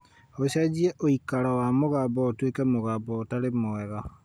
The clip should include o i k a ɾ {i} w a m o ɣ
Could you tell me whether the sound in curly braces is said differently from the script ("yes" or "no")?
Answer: yes